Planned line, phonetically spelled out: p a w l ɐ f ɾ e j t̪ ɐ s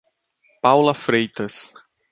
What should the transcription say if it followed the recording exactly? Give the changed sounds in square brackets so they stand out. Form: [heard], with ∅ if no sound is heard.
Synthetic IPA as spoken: p a w l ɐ f ɾ e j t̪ ɐ s